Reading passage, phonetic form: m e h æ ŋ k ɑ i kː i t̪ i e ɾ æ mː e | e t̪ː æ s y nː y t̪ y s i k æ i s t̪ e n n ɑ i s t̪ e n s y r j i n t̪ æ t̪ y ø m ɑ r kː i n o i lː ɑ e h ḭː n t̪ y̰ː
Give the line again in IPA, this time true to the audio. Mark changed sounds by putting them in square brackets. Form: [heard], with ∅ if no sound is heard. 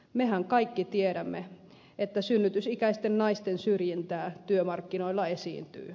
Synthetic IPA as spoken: m e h æ ŋ k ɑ i kː i t̪ i e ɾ æ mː e | e t̪ː æ s y nː y t̪ y s i k æ i s t̪ e n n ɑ i s t̪ e n s y r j i n t̪ [æː] t̪ y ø m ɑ r kː i n o i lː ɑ e [s] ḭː n t̪ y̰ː

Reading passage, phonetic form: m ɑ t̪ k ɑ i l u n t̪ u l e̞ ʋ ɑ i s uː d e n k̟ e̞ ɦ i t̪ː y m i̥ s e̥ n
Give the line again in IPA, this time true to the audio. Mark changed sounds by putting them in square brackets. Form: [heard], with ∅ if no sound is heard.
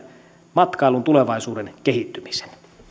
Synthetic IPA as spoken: m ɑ t̪ k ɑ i l u n t̪ u l e̞ ʋ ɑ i s uː d e n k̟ e̞ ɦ i t̪ː y m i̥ s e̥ n

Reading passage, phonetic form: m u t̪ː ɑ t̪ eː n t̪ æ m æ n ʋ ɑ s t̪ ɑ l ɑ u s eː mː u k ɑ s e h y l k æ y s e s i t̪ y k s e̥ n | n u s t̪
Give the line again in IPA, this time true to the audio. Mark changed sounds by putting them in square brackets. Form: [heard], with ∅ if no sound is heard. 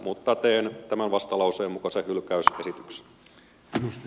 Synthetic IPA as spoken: m u t̪ː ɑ t̪ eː n t̪ æ m æ n ʋ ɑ s t̪ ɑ l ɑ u s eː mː u k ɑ s e h y l k æ y s e s i t̪ y k s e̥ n | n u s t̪

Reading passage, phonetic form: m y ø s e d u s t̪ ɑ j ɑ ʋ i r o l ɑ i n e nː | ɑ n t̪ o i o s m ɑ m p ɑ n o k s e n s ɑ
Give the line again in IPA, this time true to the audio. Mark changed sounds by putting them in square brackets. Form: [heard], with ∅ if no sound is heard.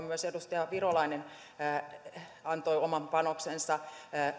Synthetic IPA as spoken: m y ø s e d u s t̪ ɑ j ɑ ʋ i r o l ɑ i n e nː | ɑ n t̪ o i o [∅] m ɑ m p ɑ n o k s e n s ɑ

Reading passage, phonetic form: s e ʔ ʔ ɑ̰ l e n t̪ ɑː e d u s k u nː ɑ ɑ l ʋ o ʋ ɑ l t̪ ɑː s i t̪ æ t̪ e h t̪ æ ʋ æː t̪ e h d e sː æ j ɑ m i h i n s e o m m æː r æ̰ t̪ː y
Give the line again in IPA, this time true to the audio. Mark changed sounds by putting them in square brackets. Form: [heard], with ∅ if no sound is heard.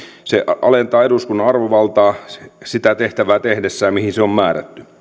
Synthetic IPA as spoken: s e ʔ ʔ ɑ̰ l e n t̪ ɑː e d u s k u nː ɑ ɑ [r] ʋ o ʋ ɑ l t̪ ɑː s i t̪ æ t̪ e h t̪ æ ʋ æː t̪ e h d e sː æ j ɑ m i h i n s e o m m æː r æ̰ t̪ː y

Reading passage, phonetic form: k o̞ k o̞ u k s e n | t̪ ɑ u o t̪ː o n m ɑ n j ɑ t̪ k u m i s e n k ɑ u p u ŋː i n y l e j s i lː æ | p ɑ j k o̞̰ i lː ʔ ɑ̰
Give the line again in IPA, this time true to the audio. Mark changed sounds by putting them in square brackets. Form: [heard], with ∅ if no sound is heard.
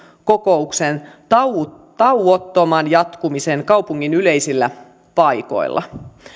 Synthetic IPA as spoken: k o̞ k o̞ u k s e n | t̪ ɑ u o t̪ː o [∅] m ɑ n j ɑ t̪ k u m i s e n k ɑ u p u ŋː i n y l e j s i lː æ | p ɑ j k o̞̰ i lː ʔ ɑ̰

